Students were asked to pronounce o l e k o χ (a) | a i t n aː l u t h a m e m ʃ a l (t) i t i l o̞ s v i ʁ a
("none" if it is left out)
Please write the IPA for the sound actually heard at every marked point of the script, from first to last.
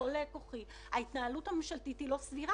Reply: i, t

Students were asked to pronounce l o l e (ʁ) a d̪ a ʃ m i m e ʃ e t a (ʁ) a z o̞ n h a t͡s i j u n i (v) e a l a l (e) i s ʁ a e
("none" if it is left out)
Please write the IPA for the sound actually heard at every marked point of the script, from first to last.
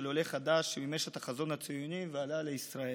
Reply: χ, χ, v, e

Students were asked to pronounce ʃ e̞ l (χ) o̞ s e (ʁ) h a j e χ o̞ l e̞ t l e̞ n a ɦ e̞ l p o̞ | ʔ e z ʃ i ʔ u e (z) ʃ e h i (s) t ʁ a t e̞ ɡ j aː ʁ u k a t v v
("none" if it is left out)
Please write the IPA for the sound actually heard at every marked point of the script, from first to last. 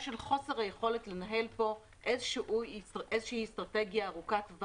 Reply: χ, ʁ, z, s

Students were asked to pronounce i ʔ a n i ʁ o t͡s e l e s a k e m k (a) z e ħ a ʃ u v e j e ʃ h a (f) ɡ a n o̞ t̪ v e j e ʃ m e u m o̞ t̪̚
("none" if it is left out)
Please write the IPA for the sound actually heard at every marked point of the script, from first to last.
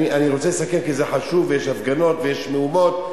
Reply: i, f

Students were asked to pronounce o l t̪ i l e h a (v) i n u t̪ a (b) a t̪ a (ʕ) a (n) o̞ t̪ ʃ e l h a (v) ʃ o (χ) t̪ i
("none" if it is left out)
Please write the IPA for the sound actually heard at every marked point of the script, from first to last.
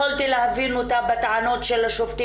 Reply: v, b, ʕ, n, none, f

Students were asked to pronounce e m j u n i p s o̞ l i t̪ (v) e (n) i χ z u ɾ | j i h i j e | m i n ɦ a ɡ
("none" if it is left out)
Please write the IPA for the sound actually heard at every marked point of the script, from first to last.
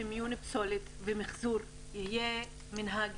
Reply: v, m

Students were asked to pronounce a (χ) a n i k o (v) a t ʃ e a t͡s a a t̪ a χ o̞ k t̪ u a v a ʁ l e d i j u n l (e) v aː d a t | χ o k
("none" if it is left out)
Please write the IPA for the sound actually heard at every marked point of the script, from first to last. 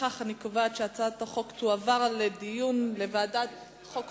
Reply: χ, v, e

